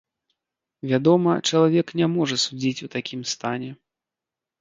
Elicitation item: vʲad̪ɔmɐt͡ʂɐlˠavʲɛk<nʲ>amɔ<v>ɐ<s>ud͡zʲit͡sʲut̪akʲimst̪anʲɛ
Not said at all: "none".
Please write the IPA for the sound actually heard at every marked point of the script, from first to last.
nʲ, ʐ, s

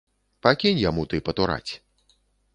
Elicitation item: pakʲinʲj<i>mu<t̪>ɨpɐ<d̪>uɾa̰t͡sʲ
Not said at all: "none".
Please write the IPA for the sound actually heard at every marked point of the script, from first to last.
a, t̪, t̪

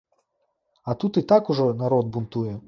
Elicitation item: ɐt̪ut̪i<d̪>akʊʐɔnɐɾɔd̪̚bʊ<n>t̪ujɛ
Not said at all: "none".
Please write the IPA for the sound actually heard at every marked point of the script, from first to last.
t̪, n

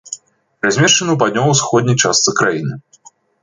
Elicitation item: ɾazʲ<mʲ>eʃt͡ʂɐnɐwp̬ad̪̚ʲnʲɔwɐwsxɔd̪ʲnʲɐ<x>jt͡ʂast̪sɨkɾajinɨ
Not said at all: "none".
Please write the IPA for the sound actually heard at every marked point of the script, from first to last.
mʲ, none

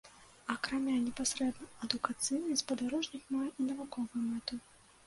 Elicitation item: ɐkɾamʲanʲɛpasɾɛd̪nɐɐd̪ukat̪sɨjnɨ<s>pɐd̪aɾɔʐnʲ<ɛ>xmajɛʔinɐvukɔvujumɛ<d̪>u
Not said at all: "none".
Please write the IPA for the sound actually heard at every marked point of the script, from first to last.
s, i, t̪

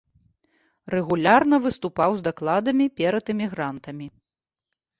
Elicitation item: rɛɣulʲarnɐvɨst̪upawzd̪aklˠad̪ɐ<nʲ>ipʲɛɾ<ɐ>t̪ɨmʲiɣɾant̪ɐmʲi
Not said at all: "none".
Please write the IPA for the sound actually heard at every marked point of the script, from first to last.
mʲ, ɐ

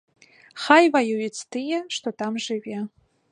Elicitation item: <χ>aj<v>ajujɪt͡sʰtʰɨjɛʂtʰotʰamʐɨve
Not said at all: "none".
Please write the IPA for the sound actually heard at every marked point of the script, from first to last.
χ, v

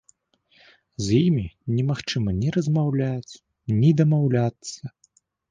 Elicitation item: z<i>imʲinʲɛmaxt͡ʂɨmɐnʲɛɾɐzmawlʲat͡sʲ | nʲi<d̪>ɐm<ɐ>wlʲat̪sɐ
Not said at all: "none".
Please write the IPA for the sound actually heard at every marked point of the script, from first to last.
j, d̪, a

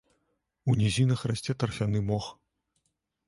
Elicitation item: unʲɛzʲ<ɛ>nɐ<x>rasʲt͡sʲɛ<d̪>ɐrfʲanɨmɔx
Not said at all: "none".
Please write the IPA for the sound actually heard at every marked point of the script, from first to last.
i, x, t̪

